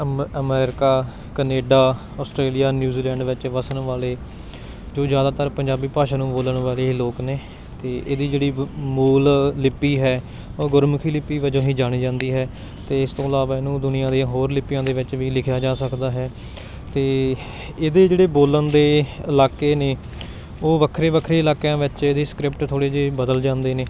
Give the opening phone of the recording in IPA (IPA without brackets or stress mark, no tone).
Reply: ə